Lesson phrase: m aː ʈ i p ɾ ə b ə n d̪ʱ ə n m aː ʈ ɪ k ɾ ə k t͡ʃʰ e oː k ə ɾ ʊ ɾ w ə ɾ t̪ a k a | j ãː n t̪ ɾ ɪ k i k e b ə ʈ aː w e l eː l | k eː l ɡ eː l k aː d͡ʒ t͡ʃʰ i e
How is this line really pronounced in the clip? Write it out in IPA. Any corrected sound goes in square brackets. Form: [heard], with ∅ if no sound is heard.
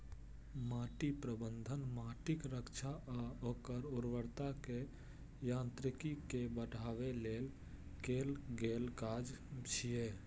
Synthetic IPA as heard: m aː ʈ i p ɾ ə b ə n d̪ʱ ə n m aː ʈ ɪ k ɾ ə k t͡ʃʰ [a] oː k ə ɾ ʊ ɾ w ə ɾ t̪ a k [e] | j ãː n t̪ ɾ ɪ k i k e b ə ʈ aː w e l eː l | k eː l ɡ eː l k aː d͡ʒ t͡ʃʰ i e